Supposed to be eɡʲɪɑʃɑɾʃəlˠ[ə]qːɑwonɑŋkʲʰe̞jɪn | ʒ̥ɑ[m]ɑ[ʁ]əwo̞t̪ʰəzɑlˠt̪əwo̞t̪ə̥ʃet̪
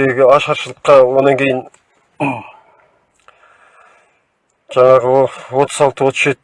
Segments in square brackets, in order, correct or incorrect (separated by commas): correct, incorrect, correct